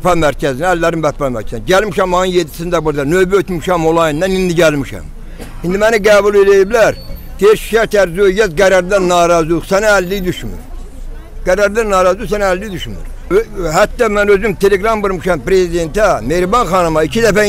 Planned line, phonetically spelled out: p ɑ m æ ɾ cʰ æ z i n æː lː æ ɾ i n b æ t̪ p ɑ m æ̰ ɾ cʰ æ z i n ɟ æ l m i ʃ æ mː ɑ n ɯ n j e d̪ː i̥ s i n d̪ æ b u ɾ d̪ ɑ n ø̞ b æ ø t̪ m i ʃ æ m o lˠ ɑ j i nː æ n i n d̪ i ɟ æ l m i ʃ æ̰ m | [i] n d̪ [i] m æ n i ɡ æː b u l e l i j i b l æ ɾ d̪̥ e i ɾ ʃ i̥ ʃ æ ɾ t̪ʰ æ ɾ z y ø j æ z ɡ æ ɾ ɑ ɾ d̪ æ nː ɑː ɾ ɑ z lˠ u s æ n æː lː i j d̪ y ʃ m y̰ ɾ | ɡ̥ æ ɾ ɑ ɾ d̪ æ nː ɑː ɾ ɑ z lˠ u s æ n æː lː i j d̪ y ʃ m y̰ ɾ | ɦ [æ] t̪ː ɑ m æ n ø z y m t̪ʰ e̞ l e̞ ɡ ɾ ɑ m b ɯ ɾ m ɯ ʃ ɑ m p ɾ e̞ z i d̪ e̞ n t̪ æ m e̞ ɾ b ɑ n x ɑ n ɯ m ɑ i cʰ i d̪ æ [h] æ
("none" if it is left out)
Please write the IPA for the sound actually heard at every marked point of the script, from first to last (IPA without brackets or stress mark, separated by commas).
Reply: i, i, æ, f